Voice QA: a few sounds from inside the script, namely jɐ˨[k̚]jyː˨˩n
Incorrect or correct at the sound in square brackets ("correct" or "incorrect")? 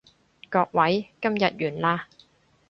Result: incorrect